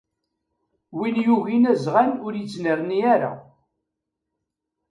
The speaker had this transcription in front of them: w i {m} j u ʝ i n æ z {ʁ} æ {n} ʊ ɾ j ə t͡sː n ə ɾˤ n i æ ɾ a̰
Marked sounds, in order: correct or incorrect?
incorrect: n, correct, correct

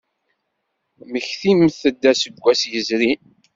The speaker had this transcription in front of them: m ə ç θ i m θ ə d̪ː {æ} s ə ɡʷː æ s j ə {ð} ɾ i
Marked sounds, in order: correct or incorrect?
correct, incorrect: z

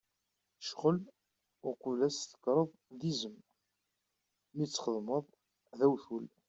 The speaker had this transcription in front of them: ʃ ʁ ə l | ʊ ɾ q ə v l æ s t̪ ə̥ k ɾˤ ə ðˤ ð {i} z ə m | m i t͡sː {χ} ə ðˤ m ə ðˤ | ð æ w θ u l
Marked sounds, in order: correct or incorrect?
correct, correct

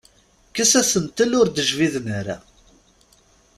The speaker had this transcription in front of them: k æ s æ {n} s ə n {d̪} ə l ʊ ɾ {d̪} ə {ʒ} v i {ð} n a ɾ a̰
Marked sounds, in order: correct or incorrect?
incorrect: none, incorrect: t̪, correct, correct, correct

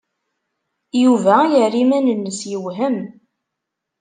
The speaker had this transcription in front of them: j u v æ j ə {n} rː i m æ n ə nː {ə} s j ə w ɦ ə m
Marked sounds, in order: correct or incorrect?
incorrect: none, correct

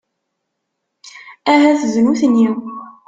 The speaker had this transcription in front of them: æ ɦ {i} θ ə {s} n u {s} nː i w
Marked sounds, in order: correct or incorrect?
incorrect: æ, incorrect: z, incorrect: θ

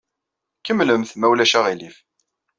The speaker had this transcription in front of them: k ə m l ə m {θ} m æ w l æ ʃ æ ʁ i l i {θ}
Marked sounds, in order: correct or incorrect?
correct, incorrect: f

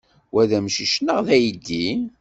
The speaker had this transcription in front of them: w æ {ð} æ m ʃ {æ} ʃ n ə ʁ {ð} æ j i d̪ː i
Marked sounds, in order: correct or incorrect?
correct, incorrect: i, correct

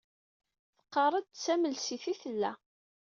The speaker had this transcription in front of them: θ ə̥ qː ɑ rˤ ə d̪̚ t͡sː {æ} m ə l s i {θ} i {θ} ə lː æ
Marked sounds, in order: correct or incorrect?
correct, correct, correct

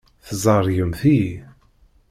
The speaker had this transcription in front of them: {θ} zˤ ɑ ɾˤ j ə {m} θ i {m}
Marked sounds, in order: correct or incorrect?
correct, correct, incorrect: none

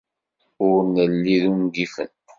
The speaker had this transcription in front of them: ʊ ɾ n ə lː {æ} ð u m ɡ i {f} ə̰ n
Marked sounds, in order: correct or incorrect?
incorrect: i, correct

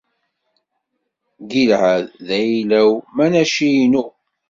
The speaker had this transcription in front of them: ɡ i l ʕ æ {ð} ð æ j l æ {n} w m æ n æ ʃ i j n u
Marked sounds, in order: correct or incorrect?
correct, incorrect: none

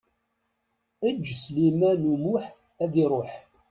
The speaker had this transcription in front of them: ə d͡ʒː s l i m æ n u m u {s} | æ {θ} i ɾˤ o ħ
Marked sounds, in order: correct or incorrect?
incorrect: ħ, incorrect: ð

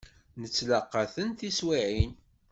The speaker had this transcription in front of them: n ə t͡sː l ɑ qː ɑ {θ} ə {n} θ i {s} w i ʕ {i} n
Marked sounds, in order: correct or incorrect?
correct, correct, correct, correct

